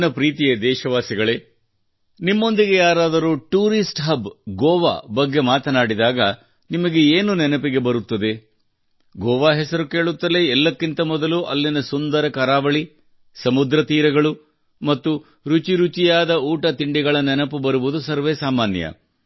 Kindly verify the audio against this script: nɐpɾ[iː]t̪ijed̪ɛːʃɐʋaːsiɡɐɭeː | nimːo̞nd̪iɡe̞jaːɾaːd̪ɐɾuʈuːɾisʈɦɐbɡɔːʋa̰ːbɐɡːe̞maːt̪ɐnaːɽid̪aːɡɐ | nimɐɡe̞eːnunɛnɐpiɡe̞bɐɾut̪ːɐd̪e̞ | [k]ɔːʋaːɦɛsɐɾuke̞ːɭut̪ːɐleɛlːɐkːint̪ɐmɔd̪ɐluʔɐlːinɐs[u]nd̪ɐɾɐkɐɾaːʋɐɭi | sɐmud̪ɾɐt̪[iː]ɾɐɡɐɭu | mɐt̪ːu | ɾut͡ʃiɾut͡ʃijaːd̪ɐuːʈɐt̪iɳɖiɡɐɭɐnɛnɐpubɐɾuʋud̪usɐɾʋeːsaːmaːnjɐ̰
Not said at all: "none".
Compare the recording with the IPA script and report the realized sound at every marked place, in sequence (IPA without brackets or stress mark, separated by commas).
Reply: iː, ɡ, u, iː